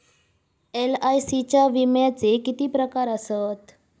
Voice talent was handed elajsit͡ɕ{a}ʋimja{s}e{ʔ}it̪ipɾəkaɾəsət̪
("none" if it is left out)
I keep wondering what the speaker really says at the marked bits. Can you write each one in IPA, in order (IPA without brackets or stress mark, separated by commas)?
a, t͡s, k